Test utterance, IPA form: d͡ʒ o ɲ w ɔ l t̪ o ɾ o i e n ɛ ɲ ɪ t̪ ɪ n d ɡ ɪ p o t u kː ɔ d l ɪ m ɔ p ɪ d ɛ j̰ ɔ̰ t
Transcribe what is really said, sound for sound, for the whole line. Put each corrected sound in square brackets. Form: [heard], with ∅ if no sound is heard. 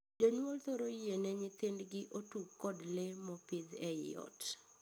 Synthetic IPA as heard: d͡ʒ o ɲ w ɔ l t̪ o ɾ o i e n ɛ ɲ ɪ t̪ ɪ n d ɡ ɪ [ʔ] o t u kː ɔ d l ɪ m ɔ p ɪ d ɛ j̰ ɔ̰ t